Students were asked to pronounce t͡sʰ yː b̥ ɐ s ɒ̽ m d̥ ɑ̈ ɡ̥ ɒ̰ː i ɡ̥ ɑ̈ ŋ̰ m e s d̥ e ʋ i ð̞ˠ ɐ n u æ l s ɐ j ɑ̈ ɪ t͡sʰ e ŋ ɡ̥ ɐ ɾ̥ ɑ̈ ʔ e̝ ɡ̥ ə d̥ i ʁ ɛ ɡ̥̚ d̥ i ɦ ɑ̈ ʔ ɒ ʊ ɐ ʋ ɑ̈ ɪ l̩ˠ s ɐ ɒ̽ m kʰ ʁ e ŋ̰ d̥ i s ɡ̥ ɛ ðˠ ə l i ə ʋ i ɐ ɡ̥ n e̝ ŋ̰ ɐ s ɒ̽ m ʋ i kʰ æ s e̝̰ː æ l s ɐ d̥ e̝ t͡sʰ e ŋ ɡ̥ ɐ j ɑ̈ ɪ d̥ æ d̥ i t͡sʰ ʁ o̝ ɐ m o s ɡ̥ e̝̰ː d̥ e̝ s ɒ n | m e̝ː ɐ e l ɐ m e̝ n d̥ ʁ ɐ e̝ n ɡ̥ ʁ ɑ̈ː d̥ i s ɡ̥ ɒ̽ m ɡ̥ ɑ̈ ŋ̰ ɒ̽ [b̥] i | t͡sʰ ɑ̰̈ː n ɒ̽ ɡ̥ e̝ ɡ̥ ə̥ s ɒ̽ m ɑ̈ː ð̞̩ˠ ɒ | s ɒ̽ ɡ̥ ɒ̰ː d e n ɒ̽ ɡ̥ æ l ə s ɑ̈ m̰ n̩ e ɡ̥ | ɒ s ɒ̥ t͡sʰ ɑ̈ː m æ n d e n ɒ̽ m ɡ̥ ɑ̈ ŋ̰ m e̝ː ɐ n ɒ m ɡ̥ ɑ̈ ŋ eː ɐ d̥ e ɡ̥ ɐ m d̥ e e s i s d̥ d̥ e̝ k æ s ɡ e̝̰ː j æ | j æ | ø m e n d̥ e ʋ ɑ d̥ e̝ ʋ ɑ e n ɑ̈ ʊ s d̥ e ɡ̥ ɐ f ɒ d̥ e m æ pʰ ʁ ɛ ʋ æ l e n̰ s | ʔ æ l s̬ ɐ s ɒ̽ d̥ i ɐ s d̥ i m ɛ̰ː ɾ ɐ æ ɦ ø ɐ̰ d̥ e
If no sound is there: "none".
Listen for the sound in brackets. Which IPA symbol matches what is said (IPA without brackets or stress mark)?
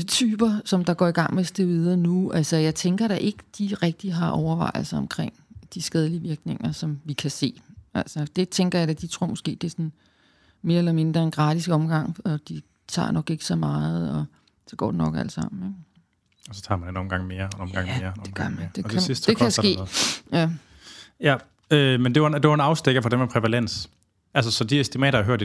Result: d̥